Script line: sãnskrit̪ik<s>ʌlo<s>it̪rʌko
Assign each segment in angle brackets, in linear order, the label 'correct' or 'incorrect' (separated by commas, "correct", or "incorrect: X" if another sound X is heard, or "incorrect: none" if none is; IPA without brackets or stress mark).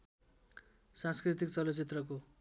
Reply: incorrect: t͡s, incorrect: t͡s